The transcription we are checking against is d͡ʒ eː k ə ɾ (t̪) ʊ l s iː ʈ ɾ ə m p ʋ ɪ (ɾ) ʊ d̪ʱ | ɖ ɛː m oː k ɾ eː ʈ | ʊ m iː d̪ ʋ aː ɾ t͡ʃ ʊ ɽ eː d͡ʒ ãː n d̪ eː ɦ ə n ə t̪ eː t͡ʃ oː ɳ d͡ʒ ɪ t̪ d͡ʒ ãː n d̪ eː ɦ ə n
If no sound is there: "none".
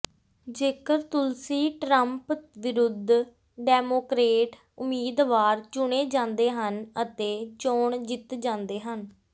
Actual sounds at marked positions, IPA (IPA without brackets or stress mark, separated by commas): t̪, ɾ